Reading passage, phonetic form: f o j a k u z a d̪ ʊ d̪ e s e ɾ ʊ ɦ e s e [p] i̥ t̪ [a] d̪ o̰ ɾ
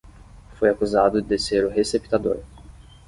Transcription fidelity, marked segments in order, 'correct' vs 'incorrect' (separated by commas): correct, correct